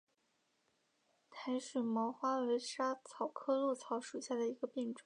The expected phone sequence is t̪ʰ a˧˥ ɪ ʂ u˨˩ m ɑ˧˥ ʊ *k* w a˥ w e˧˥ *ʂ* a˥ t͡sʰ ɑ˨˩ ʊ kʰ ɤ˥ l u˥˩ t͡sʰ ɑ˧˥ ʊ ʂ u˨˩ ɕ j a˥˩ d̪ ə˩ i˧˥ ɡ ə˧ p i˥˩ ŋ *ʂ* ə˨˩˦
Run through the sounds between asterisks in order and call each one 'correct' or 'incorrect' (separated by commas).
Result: incorrect, correct, incorrect